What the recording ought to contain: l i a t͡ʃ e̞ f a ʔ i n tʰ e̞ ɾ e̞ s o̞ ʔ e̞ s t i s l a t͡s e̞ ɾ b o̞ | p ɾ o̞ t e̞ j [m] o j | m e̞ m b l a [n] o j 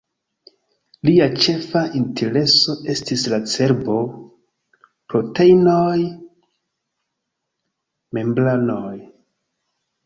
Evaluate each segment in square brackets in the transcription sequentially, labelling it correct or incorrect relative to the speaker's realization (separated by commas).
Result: incorrect, correct